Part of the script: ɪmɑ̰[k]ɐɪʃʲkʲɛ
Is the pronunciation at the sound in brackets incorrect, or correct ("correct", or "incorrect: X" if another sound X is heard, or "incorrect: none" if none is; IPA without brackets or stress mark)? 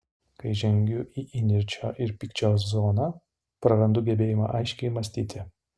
incorrect: ʔ